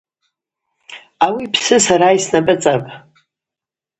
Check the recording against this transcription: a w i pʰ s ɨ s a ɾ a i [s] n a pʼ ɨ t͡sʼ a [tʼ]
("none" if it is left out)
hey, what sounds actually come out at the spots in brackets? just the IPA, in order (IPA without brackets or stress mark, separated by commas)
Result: s, pʼ